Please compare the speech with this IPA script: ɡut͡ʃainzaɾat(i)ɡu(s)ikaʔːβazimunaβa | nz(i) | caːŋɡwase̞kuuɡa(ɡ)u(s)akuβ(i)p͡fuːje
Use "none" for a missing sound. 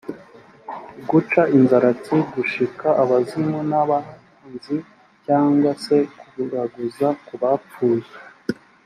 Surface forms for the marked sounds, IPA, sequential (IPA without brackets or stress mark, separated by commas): i, ʃ, i, ɡ, z, a